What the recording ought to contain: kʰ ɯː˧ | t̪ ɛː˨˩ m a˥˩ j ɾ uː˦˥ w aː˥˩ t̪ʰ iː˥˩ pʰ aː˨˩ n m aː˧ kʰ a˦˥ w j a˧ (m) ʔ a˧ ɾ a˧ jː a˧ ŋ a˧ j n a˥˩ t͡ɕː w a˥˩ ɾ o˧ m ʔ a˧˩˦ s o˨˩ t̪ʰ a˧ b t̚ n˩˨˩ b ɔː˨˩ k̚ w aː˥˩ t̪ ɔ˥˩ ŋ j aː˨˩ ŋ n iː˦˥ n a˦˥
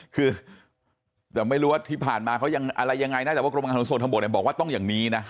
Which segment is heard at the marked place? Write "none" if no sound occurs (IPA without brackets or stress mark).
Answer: ŋ